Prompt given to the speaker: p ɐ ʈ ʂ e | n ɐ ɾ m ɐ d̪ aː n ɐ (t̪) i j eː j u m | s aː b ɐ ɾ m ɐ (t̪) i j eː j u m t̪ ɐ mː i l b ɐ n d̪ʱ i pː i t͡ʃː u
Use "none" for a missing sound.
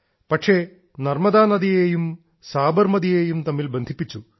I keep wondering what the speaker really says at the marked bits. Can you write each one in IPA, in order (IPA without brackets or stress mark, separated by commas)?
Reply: d̪, d̪